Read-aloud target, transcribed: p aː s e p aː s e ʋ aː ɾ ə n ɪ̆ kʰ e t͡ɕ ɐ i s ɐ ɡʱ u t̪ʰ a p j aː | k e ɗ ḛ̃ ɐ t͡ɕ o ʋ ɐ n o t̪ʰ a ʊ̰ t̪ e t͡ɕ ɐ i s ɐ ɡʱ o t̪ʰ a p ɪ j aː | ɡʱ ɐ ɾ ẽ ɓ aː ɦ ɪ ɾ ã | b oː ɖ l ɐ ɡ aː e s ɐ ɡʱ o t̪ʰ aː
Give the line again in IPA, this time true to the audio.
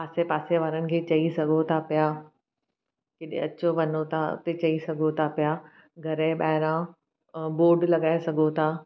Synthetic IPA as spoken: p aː s e p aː s e ʋ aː ɾ ə n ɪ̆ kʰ e t͡ɕ ɐ i s ɐ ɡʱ o t̪ʰ a p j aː | k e ɗ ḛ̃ ɐ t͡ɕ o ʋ ɐ n o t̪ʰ a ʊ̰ t̪ e t͡ɕ ɐ i s ɐ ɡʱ o t̪ʰ a p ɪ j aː | ɡʱ ɐ ɾ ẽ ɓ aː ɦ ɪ ɾ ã | b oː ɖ l ɐ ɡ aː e s ɐ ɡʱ o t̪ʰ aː